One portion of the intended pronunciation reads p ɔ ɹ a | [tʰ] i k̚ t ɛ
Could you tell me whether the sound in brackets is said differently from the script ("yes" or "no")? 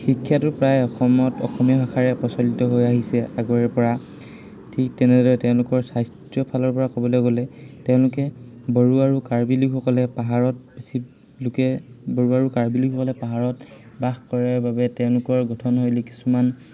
no